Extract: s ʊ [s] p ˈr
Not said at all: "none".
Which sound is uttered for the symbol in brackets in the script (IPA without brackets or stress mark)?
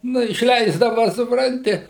none